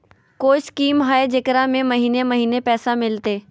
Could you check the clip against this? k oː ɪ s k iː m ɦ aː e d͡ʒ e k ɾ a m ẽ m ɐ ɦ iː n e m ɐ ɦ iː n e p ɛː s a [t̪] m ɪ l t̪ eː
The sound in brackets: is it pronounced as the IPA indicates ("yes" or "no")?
no